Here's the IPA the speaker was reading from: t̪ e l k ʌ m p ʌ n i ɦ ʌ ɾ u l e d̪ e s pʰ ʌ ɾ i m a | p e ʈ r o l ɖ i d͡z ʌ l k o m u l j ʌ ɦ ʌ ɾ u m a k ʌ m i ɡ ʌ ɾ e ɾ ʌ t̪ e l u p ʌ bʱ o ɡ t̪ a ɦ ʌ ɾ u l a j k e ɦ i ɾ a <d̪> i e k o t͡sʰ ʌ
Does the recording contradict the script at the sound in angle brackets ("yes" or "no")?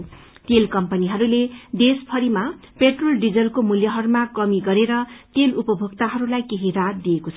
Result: no